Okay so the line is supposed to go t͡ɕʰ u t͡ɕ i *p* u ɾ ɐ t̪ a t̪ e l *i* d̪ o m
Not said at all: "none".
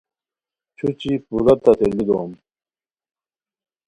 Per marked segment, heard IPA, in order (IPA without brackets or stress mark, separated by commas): p, i